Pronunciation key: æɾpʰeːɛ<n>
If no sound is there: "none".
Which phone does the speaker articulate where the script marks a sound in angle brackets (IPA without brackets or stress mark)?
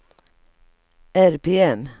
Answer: m